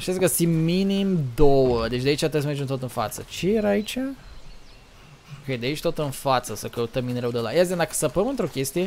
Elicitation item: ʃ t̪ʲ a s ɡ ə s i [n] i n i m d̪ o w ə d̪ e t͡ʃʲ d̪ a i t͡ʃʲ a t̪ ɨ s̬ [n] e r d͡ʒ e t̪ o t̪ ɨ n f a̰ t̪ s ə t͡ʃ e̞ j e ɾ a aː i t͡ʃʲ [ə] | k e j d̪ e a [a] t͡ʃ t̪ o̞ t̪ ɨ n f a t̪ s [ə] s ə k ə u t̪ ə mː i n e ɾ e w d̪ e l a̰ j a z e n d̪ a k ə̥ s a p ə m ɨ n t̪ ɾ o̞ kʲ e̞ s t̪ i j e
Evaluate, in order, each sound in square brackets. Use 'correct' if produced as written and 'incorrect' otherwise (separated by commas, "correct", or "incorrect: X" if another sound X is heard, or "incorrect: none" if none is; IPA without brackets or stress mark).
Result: incorrect: m, incorrect: m, incorrect: a, incorrect: i, correct